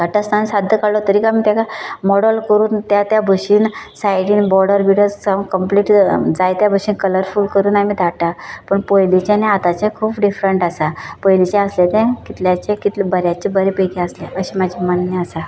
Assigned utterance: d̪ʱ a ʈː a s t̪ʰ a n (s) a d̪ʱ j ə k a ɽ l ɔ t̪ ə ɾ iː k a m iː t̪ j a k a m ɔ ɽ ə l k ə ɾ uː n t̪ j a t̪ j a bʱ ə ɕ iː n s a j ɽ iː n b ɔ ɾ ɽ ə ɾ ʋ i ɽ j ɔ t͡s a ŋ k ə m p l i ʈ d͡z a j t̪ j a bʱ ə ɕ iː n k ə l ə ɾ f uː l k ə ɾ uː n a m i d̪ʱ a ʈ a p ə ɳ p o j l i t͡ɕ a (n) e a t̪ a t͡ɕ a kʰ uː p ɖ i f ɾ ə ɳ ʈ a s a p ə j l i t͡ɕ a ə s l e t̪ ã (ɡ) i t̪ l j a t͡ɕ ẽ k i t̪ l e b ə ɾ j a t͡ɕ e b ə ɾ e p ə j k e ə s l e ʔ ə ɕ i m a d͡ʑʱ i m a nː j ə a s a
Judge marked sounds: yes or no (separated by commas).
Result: yes, yes, no